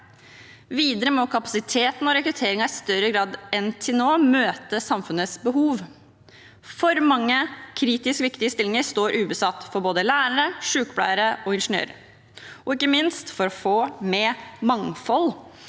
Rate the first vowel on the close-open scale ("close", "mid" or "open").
close